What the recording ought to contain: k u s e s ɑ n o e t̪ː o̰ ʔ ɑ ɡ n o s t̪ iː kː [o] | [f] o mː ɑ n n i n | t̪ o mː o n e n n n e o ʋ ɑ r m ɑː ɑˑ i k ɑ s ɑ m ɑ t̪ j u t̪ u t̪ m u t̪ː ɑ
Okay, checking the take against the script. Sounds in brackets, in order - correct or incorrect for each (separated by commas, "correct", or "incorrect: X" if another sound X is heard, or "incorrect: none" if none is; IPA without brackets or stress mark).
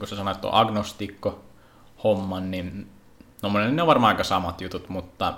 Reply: correct, incorrect: h